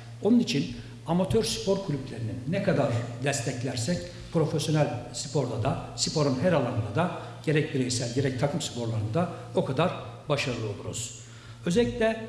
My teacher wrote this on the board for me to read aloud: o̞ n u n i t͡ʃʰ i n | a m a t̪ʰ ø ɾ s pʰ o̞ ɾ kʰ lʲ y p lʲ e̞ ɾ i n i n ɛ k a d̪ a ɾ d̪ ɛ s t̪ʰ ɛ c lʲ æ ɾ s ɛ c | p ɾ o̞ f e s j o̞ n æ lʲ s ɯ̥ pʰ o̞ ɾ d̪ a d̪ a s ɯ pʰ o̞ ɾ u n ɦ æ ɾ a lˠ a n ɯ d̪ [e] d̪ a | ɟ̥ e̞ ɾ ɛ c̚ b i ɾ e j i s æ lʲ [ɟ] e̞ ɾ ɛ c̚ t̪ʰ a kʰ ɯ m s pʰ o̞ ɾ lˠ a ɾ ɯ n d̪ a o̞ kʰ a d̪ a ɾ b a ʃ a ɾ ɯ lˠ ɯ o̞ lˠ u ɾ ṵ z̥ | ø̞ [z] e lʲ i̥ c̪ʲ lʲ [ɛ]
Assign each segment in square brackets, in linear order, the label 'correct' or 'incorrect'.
incorrect: a, correct, correct, correct

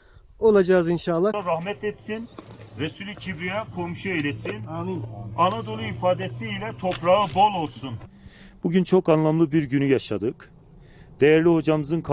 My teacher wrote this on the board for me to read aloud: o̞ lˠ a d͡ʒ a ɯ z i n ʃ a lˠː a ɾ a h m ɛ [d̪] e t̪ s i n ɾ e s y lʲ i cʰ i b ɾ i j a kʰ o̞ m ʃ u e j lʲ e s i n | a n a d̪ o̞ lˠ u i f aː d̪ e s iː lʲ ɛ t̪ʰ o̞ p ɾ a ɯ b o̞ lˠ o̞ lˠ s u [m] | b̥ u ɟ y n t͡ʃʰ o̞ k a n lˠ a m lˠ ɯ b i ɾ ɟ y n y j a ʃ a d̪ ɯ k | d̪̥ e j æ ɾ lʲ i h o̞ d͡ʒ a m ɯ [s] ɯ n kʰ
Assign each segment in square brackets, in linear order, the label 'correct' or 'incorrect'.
incorrect: t̪, incorrect: n, incorrect: z

